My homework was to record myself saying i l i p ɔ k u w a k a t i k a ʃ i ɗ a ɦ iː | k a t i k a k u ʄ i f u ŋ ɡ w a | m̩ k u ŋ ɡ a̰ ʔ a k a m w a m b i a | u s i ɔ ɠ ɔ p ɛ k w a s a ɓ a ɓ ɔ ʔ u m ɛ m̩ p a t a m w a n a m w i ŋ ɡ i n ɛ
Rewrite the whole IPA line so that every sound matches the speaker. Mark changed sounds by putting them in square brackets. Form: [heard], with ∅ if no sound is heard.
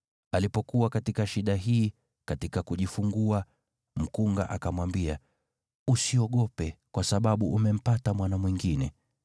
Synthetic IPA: [a] l i p ɔ k u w a k a t i k a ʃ i ɗ a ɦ iː | k a t i k a k u ʄ i f u ŋ ɡ [u] a | m̩ k u ŋ ɡ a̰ ʔ a k a m w a m b i a | u s i ɔ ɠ ɔ p ɛ k w a s a ɓ a ɓ [u] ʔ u m ɛ m̩ p a t a m w a n a m w i ŋ ɡ i n ɛ